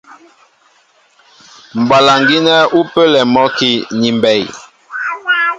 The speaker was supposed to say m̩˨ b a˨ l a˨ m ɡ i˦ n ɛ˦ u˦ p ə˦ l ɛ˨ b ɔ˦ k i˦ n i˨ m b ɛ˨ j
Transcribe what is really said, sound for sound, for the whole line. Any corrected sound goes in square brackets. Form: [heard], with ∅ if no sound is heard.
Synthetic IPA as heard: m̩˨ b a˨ l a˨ [ŋ] ɡ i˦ n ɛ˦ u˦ p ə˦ l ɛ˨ [m] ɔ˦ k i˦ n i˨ m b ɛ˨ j